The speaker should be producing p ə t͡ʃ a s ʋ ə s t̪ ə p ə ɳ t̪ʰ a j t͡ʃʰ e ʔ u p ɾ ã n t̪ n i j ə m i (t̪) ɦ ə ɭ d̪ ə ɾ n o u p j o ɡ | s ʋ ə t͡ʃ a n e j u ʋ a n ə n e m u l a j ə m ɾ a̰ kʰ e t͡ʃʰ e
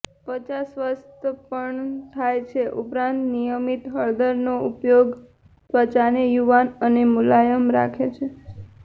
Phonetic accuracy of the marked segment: correct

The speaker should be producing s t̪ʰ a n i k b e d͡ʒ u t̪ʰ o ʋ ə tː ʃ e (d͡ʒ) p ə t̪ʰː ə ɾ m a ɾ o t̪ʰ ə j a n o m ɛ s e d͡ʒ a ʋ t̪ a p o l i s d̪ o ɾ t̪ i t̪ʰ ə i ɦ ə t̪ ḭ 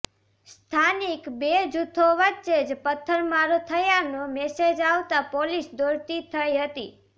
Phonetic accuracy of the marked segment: correct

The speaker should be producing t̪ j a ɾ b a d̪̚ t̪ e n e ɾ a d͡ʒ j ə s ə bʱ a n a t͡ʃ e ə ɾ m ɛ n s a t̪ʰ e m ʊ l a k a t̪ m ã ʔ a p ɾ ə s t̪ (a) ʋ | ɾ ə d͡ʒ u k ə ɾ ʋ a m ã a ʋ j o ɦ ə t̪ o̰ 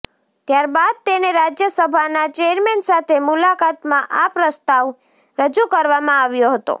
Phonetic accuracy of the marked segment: correct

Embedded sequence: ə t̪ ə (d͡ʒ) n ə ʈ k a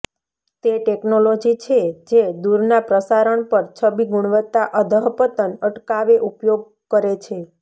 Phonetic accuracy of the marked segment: incorrect: none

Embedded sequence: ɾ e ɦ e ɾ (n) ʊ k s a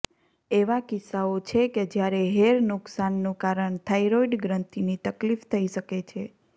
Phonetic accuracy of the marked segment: correct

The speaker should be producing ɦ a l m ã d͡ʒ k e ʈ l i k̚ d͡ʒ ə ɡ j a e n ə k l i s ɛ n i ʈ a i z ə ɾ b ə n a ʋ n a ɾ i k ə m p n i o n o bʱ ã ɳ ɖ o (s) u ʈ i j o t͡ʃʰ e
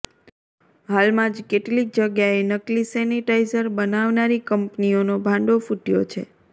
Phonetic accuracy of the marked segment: incorrect: f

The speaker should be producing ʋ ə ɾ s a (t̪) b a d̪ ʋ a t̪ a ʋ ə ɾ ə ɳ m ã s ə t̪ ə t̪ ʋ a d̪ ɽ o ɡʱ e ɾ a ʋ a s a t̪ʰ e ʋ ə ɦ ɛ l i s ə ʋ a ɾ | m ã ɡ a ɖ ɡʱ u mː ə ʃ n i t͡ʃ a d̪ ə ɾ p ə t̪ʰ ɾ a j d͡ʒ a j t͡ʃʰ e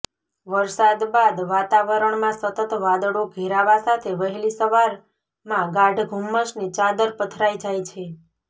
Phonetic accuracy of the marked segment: incorrect: d̪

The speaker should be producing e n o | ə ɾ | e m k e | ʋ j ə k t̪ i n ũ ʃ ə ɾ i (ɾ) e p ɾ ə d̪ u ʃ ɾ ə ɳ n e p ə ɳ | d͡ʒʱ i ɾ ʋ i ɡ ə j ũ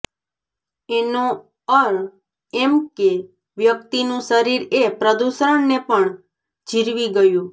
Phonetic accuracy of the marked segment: correct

